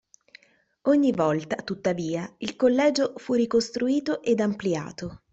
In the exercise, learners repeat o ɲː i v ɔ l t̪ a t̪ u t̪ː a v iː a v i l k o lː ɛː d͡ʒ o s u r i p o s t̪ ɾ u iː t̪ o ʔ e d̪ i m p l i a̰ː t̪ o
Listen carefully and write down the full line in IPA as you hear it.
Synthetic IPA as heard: o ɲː i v ɔ l t̪ a t̪ u t̪ː a v iː a i l k o lː ɛː d͡ʒ o f u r i k o s t̪ ɾ u iː t̪ o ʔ e d̪ a m p l i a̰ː t̪ o